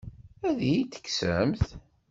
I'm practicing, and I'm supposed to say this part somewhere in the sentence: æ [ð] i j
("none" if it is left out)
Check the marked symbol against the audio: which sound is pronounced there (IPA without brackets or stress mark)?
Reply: ð